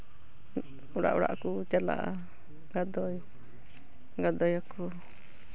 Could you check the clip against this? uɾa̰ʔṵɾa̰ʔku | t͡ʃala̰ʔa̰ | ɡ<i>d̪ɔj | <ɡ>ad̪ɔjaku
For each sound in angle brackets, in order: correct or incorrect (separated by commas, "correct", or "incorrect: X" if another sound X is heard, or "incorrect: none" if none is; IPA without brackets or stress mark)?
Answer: incorrect: a, correct